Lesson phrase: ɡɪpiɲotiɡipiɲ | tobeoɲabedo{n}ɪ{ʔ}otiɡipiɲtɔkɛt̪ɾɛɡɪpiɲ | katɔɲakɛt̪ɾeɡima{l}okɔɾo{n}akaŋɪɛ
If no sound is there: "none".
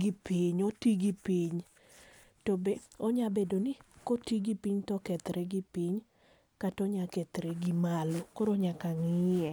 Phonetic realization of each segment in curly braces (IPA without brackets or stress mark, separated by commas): n, k, l, ɲ